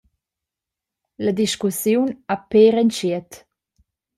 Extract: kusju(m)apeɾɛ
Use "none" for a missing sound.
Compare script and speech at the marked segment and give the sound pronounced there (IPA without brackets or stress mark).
n